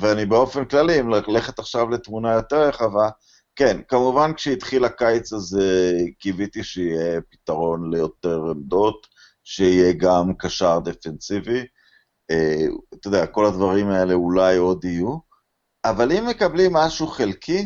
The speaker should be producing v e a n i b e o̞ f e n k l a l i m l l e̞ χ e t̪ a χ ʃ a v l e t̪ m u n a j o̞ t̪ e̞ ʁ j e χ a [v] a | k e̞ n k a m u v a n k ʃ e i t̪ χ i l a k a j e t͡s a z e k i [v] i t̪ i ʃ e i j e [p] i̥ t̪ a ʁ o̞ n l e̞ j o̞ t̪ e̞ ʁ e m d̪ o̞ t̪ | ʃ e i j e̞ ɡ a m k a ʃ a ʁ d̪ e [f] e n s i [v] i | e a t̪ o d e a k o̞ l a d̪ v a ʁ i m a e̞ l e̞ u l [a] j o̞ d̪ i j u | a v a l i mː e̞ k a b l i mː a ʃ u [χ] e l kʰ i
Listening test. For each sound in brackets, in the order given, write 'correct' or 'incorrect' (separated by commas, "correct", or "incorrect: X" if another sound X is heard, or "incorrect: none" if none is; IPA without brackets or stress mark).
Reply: correct, correct, correct, correct, correct, correct, correct